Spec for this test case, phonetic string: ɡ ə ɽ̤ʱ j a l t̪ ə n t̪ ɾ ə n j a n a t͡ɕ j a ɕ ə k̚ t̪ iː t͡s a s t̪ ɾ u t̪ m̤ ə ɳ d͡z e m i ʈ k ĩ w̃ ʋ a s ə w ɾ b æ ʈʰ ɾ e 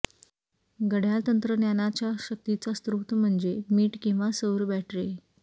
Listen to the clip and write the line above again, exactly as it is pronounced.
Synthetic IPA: ɡ ə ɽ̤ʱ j a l t̪ ə n t̪ ɾ ə n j a n a t͡ɕ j a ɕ ə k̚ t̪ i t͡s a s t̪ ɾ u t̪ m̤ ə ɳ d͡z e m iː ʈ k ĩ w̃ ʋ a s ə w ɾ b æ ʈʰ ɾ e